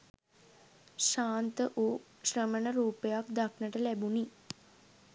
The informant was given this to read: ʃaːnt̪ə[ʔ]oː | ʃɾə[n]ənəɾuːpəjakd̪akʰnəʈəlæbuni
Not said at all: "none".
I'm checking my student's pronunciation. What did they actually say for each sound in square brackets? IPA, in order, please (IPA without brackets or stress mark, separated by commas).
ʔ, m